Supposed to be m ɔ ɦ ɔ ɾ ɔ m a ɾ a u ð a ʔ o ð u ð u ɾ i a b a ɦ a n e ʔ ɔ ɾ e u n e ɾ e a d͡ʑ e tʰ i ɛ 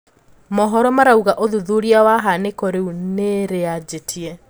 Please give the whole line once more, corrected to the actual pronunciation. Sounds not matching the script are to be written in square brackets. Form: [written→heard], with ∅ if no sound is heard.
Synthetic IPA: m ɔ ɦ ɔ ɾ ɔ m a ɾ a u [ð→ɣ] a ʔ o ð u ð u ɾ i a [b→w] a ɦ a n e [ʔ→k] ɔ ɾ e u n e ɾ e a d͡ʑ e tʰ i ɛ